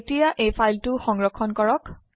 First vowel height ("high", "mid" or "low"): high